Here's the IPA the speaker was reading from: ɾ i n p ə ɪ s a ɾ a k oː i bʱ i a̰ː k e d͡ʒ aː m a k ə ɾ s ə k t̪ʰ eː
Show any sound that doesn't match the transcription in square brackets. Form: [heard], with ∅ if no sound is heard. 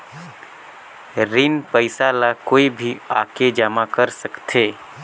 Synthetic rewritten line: ɾ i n p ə ɪ s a [l] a k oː i bʱ i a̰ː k e d͡ʒ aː m a k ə ɾ s ə k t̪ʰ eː